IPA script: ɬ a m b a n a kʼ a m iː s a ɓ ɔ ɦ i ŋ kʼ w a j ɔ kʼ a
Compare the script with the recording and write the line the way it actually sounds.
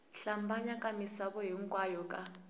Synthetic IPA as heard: ɬ a m b a ɲ a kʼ a m i s a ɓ ɔ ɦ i ŋ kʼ w a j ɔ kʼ a